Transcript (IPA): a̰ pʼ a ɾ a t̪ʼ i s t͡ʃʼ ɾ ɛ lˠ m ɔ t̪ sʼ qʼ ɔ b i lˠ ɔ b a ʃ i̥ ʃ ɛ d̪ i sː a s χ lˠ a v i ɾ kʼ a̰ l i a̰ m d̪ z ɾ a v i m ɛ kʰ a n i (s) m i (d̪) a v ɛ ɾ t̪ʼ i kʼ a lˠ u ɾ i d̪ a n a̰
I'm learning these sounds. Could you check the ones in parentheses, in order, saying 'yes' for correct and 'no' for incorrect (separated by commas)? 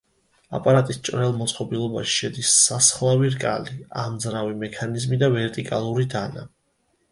no, yes